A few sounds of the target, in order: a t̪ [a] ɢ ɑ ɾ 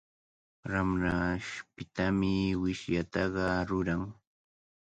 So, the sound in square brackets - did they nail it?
no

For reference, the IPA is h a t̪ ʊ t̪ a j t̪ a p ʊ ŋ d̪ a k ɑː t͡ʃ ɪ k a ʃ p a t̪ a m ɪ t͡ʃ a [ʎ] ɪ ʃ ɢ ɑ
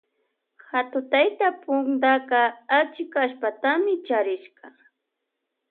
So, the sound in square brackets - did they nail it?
no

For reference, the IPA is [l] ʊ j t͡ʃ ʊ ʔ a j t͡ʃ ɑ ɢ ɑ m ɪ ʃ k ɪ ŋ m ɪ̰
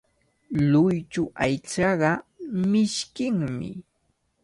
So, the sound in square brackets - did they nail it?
yes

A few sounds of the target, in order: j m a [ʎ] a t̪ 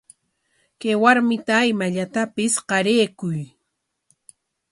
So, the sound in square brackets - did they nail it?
yes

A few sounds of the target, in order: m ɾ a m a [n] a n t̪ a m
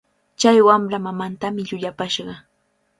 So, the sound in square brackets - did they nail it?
no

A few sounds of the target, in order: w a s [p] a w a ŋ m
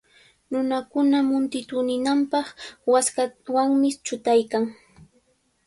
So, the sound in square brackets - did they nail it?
no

